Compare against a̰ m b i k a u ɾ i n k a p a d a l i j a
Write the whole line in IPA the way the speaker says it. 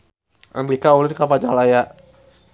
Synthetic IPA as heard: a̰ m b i k a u l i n k a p a d͡ʒ a l a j a